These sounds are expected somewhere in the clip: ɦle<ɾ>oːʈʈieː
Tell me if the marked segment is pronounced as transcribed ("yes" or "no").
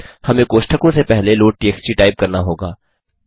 no